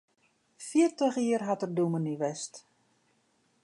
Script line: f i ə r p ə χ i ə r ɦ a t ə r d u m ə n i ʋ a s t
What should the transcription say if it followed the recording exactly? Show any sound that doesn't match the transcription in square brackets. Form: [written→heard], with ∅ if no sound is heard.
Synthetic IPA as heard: f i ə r [p→t] ə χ i ə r ɦ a t ə r d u m ə n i ʋ [a→ɛ] s t